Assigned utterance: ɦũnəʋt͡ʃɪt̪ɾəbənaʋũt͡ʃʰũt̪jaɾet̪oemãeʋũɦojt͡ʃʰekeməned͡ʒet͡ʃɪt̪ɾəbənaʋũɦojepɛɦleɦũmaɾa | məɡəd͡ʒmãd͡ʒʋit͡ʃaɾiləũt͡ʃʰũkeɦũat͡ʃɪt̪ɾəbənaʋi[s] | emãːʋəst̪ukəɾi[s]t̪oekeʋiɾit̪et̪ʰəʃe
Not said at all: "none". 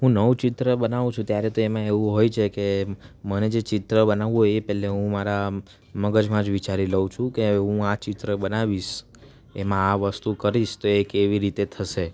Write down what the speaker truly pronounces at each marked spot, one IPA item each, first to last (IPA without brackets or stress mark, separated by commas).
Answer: ʃ, ʃ